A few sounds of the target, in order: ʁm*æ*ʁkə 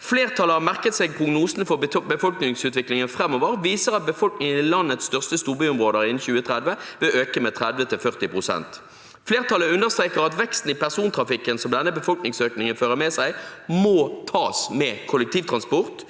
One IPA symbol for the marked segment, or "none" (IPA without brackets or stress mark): æ